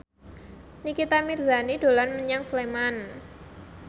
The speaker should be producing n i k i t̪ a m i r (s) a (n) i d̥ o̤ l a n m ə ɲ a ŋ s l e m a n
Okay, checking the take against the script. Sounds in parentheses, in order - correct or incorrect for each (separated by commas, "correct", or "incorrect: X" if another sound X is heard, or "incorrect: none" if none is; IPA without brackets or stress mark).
incorrect: z, correct